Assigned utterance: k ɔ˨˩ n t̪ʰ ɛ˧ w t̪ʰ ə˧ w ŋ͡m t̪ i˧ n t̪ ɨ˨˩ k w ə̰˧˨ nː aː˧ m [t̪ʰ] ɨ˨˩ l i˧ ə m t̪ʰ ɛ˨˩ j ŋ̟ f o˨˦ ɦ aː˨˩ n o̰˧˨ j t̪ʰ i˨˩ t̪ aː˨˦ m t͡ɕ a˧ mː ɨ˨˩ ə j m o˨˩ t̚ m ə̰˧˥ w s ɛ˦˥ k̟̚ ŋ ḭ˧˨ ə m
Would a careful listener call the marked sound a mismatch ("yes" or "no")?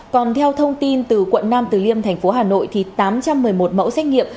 yes